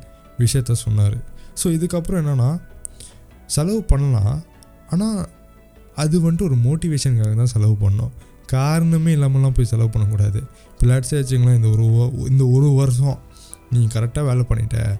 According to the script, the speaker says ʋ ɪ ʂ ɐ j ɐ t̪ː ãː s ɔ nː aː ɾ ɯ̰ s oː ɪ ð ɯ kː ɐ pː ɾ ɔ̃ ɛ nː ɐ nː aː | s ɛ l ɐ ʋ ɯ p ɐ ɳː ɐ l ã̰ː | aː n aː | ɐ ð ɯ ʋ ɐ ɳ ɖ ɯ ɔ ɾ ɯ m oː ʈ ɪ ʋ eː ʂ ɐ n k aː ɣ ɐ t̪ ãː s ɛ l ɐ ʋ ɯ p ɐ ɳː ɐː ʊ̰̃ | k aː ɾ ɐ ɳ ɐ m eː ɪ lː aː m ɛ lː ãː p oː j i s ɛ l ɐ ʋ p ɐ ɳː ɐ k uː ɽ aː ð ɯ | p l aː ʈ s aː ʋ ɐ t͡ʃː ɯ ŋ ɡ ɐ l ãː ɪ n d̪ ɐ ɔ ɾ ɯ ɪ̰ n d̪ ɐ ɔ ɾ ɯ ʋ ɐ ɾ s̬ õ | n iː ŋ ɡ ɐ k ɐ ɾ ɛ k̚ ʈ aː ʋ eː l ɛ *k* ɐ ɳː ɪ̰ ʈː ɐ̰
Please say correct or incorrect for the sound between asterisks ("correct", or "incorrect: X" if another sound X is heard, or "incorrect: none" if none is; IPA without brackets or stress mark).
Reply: incorrect: p